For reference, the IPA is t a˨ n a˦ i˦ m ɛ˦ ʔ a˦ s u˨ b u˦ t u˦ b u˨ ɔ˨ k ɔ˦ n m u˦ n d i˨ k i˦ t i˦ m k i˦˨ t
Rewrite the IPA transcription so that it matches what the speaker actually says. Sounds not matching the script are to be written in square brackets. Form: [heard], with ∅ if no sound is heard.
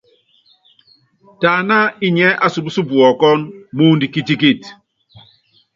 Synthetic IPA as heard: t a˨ n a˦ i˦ [ɲ] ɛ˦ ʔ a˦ s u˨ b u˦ [s] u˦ b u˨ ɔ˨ k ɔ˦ n m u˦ n d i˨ k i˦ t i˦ [∅] k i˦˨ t